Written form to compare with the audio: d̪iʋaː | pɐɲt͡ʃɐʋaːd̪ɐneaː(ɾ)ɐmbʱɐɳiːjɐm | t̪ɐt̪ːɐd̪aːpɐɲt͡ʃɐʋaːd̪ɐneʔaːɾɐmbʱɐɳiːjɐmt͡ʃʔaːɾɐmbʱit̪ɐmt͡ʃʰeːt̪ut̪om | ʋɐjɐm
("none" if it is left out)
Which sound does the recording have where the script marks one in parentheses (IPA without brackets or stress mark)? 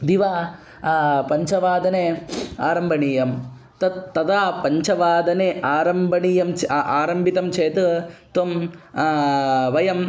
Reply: ɾ